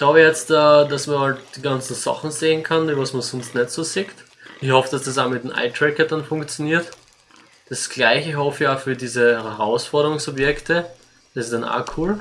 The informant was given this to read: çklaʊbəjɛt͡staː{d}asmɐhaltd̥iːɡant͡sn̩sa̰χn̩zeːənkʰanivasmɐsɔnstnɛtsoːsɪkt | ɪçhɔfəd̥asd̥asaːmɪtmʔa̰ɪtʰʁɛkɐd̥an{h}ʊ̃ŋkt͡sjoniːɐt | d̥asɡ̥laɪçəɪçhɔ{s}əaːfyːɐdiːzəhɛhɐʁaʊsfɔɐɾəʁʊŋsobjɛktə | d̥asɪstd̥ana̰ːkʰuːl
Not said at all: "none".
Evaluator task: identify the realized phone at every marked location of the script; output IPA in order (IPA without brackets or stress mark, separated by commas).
d, f, f